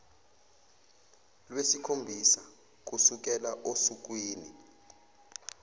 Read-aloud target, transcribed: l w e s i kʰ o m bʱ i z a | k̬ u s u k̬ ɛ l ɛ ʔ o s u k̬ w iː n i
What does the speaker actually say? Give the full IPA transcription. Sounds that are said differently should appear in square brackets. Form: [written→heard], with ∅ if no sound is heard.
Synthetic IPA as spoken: l w e s i kʰ o m bʱ i [z→s] a | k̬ u s u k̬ ɛ l [ɛ→a] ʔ o s u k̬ w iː n i